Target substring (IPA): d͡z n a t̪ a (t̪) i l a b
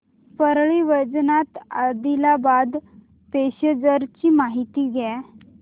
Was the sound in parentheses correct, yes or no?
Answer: no